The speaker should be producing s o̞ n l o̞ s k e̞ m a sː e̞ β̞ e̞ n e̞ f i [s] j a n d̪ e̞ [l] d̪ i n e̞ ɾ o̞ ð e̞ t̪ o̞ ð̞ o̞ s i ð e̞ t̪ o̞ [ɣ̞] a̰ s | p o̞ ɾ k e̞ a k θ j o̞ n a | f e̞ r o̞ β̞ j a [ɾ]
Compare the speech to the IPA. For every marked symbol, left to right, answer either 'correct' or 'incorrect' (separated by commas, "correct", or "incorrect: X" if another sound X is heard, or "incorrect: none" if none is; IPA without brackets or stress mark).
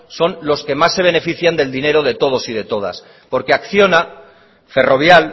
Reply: incorrect: θ, correct, incorrect: ð̞, incorrect: l